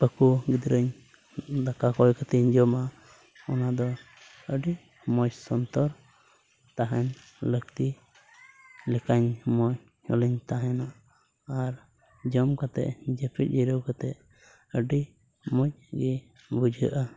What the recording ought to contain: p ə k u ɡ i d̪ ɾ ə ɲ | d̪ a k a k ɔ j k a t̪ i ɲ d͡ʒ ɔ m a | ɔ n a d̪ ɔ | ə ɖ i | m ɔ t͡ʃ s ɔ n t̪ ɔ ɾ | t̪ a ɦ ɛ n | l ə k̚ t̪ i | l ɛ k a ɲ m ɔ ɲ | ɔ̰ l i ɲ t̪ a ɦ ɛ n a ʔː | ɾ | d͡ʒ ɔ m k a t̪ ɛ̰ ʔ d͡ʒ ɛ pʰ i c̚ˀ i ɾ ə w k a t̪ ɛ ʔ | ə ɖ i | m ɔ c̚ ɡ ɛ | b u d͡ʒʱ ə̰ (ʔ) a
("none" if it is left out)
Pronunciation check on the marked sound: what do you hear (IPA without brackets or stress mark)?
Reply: ʔ